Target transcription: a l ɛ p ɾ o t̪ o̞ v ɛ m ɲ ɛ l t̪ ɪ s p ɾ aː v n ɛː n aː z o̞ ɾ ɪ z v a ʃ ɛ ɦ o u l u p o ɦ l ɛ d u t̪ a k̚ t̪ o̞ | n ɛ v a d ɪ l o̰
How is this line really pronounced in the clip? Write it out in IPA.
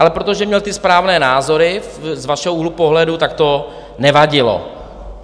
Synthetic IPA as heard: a l ɛ p ɾ o t̪ o̞ ʒ ɛ m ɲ ɛ l t̪ ɪ s p ɾ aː v n ɛː n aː z o̞ ɾ ɪ z v a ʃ ɛ ɦ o u l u p o ɦ l ɛ d u t̪ a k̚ t̪ o̞ | n ɛ v a ɟ ɪ l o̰